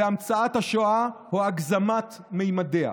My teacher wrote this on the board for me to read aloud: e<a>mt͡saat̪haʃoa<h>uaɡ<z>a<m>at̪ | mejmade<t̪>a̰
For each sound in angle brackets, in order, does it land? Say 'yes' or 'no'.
yes, yes, yes, yes, no

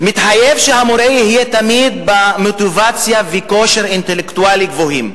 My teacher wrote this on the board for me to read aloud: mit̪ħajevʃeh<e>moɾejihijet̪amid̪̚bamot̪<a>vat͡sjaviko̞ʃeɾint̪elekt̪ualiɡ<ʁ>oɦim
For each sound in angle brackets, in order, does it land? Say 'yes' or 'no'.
no, no, no

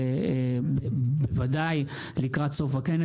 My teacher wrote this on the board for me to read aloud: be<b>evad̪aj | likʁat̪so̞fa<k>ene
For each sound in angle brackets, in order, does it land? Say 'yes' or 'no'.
yes, yes

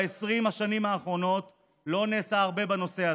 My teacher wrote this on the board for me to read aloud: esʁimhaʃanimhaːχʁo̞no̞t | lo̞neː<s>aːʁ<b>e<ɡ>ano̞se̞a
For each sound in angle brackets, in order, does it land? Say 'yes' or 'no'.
yes, yes, no

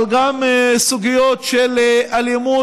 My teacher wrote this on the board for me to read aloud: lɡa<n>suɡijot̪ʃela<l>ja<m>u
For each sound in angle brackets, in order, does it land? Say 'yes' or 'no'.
no, yes, yes

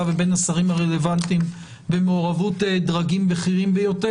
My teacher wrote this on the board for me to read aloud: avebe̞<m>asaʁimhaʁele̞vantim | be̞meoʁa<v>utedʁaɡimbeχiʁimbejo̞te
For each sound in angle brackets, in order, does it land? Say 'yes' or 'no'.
no, yes

